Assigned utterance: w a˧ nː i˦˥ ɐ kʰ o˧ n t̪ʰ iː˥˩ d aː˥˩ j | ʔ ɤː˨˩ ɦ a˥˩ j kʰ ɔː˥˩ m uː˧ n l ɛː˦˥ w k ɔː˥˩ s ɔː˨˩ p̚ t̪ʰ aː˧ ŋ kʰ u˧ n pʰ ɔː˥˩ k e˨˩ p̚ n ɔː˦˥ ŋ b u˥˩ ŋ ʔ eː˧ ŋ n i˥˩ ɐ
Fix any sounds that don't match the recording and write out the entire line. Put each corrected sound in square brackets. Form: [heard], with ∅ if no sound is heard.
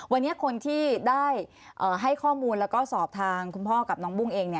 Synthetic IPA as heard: w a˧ nː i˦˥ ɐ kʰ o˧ n t̪ʰ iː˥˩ d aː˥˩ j | ʔ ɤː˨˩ ɦ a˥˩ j kʰ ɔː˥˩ m uː˧ n l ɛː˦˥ w k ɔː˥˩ s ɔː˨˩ p̚ t̪ʰ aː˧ ŋ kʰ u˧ n pʰ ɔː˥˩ k [a˨˩] p̚ n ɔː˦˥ ŋ b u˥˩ ŋ ʔ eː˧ ŋ n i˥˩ ɐ